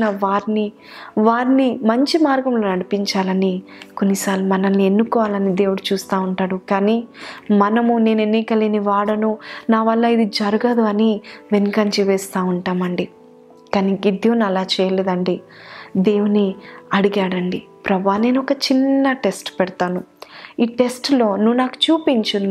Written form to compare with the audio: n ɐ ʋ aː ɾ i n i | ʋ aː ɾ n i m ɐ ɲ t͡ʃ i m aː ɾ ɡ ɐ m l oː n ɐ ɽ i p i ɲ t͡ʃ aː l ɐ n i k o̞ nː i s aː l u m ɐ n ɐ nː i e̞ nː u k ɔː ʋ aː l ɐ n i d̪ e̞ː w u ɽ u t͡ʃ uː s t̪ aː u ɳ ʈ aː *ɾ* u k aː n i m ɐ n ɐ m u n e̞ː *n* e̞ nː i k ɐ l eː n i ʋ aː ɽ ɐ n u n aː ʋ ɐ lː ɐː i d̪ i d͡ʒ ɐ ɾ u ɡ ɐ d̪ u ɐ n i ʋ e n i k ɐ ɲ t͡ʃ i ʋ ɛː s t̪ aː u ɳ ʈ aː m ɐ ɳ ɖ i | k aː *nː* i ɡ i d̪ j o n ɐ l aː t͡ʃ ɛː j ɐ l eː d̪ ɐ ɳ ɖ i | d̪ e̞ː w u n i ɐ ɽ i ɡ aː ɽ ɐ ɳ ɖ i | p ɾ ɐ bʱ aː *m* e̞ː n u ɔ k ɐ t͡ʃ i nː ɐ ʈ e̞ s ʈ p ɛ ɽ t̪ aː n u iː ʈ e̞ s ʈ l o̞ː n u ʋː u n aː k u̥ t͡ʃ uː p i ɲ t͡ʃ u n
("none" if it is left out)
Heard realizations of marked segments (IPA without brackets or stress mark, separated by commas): ɽ, n, n, n